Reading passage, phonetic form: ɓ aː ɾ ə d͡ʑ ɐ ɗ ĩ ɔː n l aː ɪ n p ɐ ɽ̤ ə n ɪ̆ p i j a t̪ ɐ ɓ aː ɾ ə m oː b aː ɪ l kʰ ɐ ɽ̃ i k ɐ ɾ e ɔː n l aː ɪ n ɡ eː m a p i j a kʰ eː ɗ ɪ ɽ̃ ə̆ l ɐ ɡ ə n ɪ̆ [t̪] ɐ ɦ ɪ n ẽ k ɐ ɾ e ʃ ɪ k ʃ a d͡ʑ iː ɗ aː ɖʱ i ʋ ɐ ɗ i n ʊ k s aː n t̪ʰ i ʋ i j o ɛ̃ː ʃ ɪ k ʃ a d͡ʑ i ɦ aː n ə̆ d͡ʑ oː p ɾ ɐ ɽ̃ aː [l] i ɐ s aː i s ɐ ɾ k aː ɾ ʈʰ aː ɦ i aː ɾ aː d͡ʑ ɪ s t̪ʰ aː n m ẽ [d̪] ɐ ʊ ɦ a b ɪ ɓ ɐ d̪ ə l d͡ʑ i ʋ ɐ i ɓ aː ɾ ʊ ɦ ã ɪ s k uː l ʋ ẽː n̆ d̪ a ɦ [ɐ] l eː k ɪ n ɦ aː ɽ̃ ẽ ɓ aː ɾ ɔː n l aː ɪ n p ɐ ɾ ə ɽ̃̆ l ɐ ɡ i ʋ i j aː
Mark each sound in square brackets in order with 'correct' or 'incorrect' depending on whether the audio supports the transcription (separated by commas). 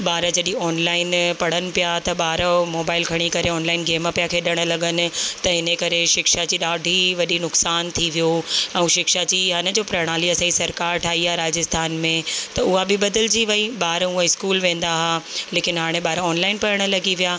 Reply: correct, correct, incorrect, incorrect